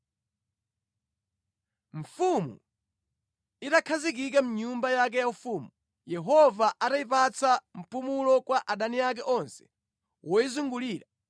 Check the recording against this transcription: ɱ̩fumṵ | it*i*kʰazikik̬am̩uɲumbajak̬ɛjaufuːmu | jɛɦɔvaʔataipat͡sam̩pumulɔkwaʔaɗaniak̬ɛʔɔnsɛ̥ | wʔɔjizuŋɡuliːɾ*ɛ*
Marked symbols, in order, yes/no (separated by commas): no, no